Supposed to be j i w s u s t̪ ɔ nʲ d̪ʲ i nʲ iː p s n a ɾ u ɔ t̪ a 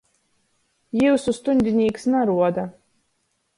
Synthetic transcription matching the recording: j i w s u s t̪ u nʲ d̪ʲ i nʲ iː k s n a ɾ u ɔ d̪ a